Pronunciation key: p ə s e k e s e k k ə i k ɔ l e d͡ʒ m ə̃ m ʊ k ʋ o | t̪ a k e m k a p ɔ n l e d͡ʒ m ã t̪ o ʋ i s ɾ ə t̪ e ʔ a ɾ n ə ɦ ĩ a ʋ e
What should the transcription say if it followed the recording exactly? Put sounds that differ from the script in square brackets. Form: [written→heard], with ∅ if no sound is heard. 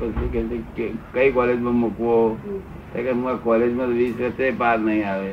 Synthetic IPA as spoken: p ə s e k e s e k k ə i k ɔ l e d͡ʒ m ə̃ m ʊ k ʋ o | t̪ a k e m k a [p→k] ɔ [n→∅] l e d͡ʒ m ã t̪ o ʋ i s ɾ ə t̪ e [ʔ→p] a ɾ n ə ɦ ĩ a ʋ e